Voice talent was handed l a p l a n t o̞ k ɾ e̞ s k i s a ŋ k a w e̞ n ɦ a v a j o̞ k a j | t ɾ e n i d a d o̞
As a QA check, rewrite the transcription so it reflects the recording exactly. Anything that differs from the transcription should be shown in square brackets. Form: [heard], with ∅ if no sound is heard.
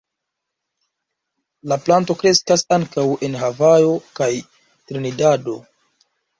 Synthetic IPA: l a p l a n t o̞ k ɾ e̞ s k [a] s a ŋ k a w e̞ n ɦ a v a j o̞ k a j | t ɾ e n i d a d o̞